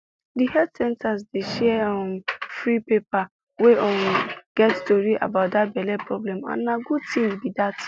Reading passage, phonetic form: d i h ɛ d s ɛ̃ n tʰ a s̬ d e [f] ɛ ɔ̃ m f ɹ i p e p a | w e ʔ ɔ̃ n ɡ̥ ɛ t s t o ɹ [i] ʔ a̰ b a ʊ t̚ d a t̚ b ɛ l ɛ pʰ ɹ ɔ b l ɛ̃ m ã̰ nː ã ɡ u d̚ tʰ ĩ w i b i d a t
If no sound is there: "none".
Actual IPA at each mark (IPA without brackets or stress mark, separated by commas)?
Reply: ʃ, i